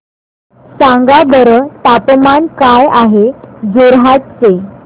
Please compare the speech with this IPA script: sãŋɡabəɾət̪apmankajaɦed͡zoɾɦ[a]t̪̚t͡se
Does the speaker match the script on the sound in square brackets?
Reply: yes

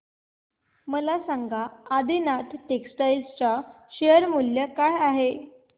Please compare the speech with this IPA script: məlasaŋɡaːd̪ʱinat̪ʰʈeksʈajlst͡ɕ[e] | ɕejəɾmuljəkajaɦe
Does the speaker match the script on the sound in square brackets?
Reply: no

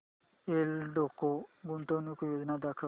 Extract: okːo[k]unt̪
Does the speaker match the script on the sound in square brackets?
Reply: no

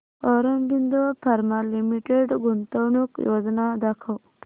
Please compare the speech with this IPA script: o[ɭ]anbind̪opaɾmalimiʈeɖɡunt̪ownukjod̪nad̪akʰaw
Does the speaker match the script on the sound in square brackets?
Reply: no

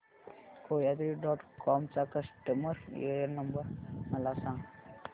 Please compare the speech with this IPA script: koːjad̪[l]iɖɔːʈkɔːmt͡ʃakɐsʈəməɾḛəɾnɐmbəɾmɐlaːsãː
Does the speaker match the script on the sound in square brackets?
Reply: no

